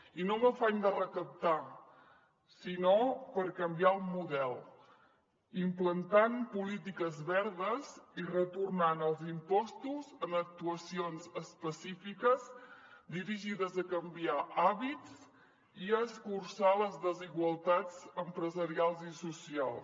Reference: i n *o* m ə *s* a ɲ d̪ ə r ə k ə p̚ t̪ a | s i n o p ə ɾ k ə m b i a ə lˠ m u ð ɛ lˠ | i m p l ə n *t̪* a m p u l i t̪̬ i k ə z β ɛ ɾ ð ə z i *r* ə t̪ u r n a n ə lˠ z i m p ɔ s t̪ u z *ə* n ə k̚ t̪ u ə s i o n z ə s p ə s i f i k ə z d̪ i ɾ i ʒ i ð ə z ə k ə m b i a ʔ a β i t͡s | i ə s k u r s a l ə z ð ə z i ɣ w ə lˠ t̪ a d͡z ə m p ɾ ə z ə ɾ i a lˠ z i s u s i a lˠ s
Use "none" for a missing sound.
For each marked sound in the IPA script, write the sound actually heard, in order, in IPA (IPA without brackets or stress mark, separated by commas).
o, f, t̪, r, ə